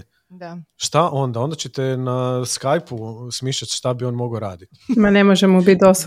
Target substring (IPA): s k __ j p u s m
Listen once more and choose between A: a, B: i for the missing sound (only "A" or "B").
A